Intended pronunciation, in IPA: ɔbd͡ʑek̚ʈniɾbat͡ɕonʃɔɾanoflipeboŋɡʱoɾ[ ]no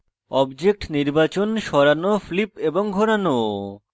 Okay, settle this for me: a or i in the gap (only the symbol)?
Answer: a